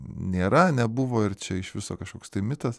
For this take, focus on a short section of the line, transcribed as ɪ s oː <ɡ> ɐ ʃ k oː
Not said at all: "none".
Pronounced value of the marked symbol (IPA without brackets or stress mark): k